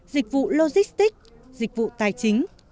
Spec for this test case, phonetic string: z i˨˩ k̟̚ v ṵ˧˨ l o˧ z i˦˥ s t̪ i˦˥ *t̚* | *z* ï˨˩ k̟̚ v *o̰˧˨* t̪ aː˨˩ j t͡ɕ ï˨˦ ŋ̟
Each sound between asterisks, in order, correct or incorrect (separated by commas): incorrect, correct, incorrect